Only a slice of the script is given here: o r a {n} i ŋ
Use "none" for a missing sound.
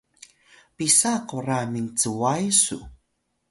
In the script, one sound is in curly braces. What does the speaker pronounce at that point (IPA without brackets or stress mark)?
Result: m